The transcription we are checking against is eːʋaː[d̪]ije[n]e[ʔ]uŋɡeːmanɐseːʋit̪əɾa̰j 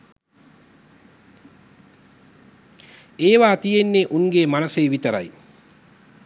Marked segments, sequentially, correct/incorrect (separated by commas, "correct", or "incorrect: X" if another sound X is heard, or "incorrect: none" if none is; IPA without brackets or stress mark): incorrect: t̪, incorrect: nː, correct